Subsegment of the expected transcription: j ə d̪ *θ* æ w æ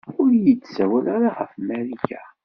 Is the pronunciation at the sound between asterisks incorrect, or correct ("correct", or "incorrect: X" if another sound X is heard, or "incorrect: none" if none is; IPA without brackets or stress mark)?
incorrect: s